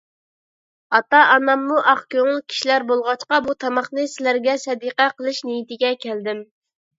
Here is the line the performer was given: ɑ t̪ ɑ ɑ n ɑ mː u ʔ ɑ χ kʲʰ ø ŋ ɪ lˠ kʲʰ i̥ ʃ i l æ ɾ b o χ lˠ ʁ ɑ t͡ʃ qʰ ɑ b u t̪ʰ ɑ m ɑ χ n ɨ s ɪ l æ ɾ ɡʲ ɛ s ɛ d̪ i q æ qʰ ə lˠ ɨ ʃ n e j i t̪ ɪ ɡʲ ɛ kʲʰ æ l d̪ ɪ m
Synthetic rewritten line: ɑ t̪ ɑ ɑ n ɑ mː u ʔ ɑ χ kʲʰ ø ŋ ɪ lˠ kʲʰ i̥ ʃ i l æ ɾ b o lˠ ʁ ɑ t͡ʃ q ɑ b u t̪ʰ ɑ m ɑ χ n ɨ s ɪ l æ ɾ ɡʲ ɛ s ɛ d̪ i q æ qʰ ə lˠ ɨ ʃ n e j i t̪ ɪ ɡʲ ɛ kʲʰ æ l d̪ ɪ m